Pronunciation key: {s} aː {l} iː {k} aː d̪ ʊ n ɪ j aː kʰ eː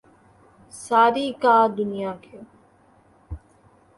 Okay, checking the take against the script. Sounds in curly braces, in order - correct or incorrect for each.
correct, incorrect: ɾ, correct

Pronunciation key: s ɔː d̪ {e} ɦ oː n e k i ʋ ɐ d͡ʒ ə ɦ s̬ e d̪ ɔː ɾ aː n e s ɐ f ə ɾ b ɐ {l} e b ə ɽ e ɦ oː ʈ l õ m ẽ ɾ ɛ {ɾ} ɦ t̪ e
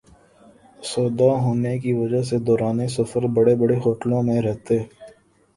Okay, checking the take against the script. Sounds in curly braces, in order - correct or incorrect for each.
incorrect: a, incorrect: ɽ, incorrect: none

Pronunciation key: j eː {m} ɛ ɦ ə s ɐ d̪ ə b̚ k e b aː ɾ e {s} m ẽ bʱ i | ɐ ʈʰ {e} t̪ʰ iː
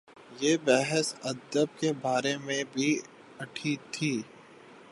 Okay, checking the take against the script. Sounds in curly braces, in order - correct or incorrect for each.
incorrect: b, incorrect: none, incorrect: i

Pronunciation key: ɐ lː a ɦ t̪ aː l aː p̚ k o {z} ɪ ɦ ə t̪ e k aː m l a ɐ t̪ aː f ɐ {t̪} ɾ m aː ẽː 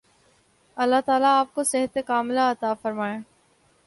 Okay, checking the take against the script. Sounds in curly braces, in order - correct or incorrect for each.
incorrect: s, incorrect: none

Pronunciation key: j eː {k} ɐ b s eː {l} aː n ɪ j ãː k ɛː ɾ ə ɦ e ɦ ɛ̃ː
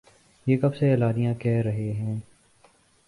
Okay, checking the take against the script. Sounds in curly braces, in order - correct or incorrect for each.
correct, correct

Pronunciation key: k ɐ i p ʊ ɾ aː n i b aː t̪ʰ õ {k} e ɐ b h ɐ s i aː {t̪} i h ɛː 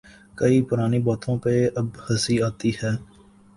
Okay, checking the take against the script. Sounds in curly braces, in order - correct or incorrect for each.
incorrect: p, correct

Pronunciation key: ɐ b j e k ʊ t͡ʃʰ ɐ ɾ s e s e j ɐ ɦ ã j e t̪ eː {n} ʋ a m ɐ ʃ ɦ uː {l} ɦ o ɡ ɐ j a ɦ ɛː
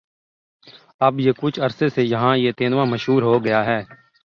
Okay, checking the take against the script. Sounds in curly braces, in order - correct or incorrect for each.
correct, incorrect: ɾ

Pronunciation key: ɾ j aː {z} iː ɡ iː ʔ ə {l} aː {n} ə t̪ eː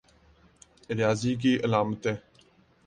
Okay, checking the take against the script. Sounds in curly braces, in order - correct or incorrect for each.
correct, correct, incorrect: m

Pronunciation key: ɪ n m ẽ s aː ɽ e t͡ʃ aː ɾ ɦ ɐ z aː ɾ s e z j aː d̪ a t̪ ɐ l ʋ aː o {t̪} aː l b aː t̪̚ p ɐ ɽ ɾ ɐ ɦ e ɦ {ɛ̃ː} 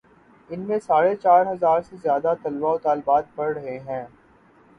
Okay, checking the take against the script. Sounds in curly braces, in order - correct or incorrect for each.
correct, correct

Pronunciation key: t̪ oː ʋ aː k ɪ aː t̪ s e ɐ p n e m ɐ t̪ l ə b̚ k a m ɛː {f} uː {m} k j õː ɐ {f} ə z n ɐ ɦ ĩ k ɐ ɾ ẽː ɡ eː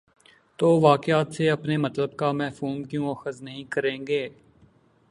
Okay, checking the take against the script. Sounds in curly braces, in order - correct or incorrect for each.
correct, correct, incorrect: x

